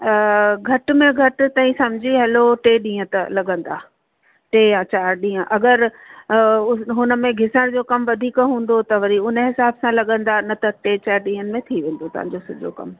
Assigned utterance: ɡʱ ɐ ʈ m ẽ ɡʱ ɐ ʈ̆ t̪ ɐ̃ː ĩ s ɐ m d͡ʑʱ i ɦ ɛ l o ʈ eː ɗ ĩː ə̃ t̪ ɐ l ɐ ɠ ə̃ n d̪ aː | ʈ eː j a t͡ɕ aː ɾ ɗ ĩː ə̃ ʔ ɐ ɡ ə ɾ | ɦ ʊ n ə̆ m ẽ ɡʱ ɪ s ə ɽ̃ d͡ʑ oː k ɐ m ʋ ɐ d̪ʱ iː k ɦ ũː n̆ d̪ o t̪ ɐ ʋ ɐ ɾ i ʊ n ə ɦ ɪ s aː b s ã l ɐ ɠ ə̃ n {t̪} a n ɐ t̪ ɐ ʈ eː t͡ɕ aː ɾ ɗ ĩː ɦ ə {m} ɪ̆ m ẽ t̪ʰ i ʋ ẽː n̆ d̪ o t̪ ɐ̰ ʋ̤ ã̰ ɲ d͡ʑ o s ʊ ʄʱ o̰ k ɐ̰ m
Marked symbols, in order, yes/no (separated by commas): no, no